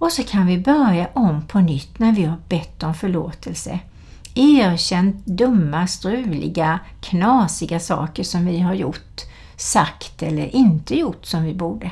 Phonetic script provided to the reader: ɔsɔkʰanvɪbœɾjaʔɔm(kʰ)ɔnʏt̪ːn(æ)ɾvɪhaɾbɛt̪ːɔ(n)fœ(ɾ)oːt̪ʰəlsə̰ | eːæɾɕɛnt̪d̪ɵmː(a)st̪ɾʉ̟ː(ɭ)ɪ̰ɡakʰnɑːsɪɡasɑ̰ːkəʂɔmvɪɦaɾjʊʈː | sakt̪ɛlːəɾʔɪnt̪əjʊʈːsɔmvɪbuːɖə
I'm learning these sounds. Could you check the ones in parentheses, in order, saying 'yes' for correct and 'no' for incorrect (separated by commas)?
no, yes, no, no, yes, no